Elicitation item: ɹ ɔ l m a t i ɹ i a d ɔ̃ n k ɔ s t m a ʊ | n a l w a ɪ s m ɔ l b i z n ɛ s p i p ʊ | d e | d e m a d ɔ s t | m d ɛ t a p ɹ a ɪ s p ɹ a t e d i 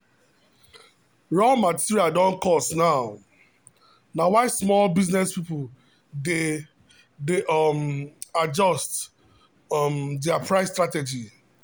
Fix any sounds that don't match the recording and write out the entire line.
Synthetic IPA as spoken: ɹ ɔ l m a t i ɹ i a d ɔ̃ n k ɔ s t n a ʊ | n a w a ɪ s m ɔ l b i z n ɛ s p i p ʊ | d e | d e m a d͡ʒ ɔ s t | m d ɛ a p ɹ a ɪ s t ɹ a t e d͡ʒ i

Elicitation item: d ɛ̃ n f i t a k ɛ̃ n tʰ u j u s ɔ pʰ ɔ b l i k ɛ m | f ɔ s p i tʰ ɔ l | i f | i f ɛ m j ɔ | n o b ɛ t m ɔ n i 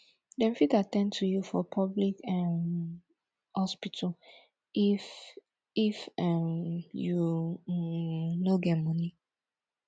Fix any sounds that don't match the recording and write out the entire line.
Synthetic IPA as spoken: d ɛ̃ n f i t a t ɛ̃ n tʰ u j u f ɔ pʰ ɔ b l i k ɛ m | h ɔ s p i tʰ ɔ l | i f | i f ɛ m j u | n o ɡ ɛ t m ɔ n i

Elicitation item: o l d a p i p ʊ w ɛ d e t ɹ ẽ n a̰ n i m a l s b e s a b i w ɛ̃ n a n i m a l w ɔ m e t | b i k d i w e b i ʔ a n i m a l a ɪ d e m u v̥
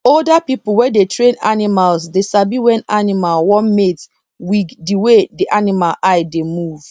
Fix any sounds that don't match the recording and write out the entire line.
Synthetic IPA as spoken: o l d a p i p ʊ w ɛ d e t ɹ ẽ n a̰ n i m a l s d e s a b i w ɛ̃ n a n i m a l w ɔ m e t | w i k d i w e d i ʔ a n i m a l a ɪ d e m u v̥

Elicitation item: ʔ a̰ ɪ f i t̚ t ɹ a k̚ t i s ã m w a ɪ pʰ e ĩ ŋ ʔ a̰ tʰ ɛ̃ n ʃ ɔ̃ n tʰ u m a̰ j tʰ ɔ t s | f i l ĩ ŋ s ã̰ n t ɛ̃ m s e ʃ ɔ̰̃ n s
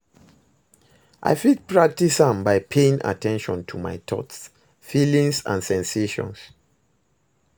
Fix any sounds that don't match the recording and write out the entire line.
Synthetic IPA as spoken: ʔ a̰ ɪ f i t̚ p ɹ a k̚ t i s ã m b a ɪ pʰ e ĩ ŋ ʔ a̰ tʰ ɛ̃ n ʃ ɔ̃ n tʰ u m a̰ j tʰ ɔ t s | f i l ĩ ŋ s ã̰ n s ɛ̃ n s e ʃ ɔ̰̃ n s

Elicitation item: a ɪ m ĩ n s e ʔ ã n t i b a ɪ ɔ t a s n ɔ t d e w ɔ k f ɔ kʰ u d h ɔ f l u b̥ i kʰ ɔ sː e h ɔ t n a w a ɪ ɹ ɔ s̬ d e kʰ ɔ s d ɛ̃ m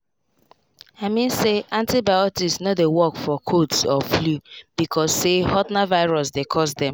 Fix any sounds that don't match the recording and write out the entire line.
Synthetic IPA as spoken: a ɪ m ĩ n s e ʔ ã n t i b a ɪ ɔ t i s n ɔ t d e w ɔ k f ɔ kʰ o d s ɔ f l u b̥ i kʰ ɔ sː e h ɔ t n a v a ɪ ɹ ɔ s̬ d e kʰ ɔ s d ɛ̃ m

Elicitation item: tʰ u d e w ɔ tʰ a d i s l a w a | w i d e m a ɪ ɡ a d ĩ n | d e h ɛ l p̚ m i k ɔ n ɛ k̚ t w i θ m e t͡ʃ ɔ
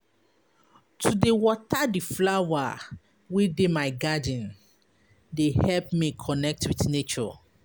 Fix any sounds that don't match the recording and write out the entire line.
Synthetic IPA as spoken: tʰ u d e w ɔ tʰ a d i f l a w a | w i d e m a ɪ ɡ a d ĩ n | d e h ɛ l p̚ m i kʰ ɔ n ɛ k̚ t w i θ n e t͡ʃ ɔ

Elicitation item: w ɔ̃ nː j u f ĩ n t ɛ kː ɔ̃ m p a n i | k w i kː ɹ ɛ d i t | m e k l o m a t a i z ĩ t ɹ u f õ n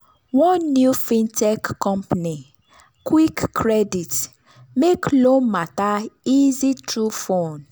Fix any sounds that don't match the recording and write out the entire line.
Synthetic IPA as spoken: w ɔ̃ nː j u f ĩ n t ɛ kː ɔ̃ m p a n i | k w i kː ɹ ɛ d i t | m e k l o m a t a i z i t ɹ u f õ n

